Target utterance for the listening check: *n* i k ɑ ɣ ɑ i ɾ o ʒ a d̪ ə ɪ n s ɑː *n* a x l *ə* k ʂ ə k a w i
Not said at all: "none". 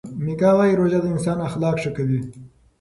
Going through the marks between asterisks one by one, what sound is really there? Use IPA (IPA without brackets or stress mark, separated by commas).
m, n, ɑ